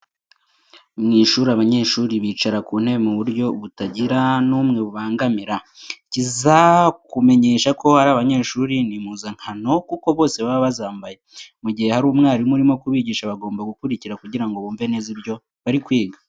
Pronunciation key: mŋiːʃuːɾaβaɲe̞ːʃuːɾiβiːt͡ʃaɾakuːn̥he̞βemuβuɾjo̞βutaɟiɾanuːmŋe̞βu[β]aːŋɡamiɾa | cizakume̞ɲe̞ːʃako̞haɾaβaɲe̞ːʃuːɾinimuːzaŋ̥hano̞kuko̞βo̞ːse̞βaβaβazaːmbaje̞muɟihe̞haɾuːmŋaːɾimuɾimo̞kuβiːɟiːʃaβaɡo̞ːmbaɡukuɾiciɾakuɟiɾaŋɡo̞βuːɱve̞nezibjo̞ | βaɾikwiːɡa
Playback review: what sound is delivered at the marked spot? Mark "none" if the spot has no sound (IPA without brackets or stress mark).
β